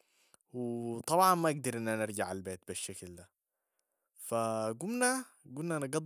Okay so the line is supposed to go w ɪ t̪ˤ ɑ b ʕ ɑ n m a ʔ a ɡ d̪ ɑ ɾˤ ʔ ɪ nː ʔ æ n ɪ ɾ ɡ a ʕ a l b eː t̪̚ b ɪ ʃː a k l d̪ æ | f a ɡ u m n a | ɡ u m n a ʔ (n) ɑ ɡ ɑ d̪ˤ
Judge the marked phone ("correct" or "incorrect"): correct